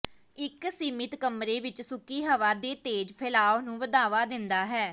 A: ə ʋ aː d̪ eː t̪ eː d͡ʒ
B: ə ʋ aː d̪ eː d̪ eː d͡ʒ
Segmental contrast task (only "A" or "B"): A